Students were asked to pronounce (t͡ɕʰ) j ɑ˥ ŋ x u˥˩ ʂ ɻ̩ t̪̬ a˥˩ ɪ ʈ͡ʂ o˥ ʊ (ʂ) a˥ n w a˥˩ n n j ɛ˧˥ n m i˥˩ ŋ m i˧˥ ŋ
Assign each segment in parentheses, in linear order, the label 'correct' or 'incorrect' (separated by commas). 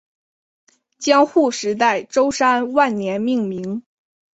incorrect, correct